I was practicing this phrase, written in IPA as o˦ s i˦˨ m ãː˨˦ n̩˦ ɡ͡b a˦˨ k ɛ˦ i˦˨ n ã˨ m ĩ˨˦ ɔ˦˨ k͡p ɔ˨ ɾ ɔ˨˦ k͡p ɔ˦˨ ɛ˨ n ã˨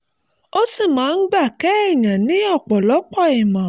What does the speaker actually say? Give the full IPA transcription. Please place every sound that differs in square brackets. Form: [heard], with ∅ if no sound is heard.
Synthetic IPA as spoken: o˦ s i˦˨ m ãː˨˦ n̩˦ ɡ͡b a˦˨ k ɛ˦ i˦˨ [ɲ] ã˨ [n] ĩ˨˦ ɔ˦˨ k͡p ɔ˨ [l] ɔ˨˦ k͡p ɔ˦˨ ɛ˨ [m] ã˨